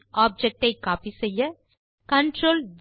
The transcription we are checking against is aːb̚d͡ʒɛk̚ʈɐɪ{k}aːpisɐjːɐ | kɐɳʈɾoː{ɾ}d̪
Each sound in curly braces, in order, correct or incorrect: correct, incorrect

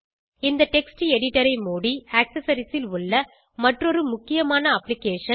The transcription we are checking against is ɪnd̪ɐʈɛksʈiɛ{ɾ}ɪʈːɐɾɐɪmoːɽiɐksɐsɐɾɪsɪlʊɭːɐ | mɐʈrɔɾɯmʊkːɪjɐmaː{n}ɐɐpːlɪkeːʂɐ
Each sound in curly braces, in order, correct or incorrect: incorrect, correct

